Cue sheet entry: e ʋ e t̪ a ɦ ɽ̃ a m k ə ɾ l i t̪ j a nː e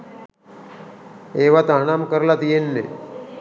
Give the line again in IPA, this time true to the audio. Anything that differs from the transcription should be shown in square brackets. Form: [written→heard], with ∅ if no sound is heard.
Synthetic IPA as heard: e ʋ [e→a] t̪ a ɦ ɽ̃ a m k ə ɾ l [i→a] t̪ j [a→e] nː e